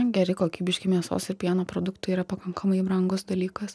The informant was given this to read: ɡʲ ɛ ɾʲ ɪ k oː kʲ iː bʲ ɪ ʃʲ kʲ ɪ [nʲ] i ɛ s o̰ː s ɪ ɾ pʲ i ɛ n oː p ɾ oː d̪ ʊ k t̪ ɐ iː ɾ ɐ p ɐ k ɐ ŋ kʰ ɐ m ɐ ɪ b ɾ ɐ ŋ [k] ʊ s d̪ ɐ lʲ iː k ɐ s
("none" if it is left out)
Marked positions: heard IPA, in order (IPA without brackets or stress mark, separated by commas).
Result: mʲ, ɡ